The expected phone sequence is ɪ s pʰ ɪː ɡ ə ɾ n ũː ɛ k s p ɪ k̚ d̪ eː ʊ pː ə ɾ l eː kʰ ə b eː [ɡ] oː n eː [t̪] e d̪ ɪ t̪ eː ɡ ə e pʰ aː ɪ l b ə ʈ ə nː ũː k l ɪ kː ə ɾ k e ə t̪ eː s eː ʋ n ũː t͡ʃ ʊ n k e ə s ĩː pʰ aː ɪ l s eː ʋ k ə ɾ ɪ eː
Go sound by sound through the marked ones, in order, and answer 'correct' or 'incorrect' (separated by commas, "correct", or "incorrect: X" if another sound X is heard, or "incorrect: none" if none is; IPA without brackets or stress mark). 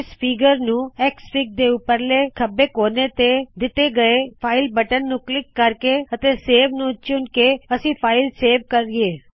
incorrect: k, correct